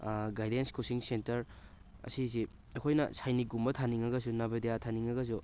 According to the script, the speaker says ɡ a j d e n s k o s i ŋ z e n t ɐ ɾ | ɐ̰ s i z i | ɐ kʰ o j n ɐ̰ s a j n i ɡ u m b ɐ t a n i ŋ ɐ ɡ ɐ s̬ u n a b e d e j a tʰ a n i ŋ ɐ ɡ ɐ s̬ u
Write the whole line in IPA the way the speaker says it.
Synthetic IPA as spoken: ɡ a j d e n s k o s i ŋ s e n t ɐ ɾ | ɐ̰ s i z i | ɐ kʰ o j n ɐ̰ s a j n i ɡ u m b ɐ tʰ a n i ŋ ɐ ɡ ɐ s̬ u n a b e d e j a tʰ a n i ŋ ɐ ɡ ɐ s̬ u